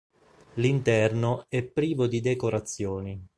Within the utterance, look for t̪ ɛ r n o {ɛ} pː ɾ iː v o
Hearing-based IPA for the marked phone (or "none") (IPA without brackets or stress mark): ɛ